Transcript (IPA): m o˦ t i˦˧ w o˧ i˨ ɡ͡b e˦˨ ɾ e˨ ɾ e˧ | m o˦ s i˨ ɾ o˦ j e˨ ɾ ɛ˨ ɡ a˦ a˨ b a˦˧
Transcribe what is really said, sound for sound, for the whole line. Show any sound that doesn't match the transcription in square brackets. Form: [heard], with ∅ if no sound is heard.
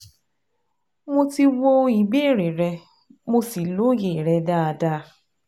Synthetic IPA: m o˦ t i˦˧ w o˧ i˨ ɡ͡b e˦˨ ɾ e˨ ɾ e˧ | m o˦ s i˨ [l] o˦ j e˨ ɾ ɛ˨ [d] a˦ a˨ [d] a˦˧